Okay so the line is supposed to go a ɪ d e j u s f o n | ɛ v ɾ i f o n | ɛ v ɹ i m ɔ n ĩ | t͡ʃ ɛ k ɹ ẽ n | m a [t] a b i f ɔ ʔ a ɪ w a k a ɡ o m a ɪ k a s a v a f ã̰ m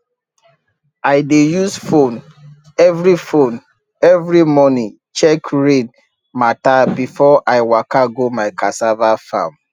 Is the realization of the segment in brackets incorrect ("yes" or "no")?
no